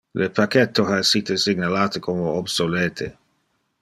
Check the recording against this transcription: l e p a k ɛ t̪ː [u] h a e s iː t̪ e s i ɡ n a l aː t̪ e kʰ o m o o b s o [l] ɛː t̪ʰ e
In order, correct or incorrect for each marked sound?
incorrect: o, correct

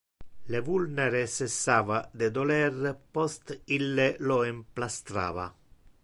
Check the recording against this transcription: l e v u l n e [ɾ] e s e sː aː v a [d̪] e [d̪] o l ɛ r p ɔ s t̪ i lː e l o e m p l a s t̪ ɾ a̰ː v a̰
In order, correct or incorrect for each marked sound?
correct, correct, correct

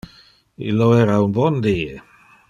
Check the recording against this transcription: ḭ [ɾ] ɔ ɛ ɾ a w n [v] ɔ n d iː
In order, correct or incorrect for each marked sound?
incorrect: l, incorrect: b

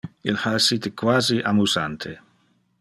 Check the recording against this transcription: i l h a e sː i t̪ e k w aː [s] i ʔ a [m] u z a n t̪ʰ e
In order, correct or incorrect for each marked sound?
incorrect: z, correct

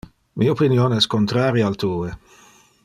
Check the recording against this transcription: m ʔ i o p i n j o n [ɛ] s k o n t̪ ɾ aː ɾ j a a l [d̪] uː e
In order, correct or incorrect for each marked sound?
correct, incorrect: t̪

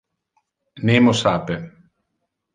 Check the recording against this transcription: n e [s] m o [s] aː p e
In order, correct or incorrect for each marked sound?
incorrect: none, correct

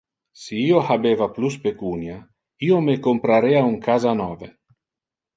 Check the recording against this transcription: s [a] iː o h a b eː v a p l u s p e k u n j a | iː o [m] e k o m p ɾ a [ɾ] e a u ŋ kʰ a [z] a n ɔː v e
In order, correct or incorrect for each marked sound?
incorrect: i, correct, correct, correct

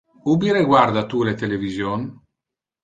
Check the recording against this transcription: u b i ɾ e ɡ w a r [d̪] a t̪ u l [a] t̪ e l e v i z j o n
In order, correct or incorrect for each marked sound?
correct, incorrect: e

